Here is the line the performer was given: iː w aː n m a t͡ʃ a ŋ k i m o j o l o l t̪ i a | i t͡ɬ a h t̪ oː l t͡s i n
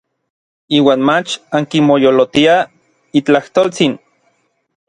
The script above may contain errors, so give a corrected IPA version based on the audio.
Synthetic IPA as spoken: iː w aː n m a t͡ʃ a ŋ k i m o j o l o t̪ i a | i t͡ɬ a h t̪ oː l t͡s i n